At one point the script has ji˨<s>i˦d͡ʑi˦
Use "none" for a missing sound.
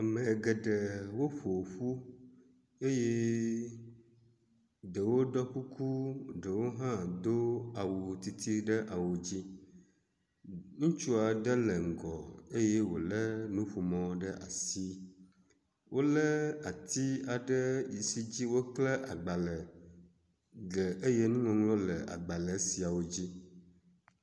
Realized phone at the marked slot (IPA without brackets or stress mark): s